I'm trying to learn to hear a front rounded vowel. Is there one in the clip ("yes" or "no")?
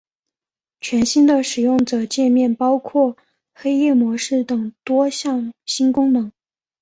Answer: no